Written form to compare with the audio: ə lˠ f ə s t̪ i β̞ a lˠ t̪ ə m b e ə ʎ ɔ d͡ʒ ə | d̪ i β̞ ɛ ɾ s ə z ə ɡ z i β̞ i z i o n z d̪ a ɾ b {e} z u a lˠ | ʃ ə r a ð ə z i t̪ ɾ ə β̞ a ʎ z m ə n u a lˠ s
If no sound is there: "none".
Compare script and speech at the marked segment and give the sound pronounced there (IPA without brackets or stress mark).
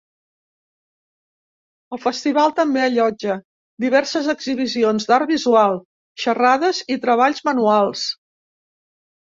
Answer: i